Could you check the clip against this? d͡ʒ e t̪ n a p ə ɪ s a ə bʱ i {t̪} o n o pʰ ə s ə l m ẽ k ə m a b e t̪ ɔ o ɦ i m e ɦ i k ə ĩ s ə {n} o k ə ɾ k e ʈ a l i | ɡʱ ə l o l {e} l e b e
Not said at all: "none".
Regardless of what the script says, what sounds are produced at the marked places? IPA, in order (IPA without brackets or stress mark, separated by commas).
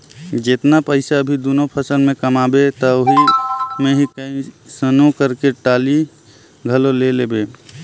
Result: d̪, n, e